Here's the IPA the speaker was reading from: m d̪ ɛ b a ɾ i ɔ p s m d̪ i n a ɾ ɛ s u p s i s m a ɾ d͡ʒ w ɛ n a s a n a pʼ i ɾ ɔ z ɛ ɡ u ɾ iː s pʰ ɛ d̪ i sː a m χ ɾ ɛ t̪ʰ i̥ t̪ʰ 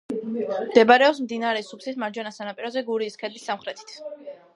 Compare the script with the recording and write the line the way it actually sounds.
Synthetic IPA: m d̪ ɛ b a ɾ ɛ ɔ p s m d̪ i n a ɾ ɛ s u p s i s m a ɾ d͡ʒ w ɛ n a s a n a pʼ i ɾ ɔ z ɛ ɡ u ɾ iː s kʰ ɛ d̪ i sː a m χ ɾ ɛ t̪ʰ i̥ t̪ʰ